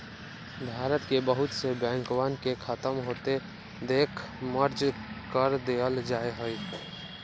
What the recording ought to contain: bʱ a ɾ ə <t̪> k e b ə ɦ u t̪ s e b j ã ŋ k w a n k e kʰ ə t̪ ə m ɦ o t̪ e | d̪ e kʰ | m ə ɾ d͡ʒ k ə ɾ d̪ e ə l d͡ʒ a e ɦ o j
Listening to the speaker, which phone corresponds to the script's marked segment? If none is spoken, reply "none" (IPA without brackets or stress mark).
t̪